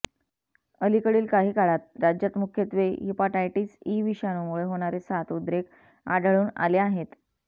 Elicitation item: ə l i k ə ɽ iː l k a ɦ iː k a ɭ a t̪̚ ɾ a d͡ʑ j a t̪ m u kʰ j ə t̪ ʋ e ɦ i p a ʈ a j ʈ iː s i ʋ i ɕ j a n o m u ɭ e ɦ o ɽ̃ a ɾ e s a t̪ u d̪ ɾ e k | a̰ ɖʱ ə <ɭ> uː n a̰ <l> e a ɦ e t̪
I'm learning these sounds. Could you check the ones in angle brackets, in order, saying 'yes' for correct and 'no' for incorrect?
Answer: yes, yes

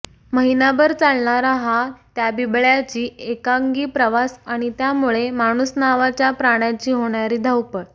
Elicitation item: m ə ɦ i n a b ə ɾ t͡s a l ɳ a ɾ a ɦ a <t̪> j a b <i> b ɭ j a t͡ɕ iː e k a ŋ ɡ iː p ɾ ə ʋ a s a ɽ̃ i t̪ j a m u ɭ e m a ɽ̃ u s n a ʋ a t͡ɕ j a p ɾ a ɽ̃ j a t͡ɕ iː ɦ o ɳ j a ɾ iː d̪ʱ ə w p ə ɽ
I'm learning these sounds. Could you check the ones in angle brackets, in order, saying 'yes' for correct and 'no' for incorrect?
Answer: yes, yes

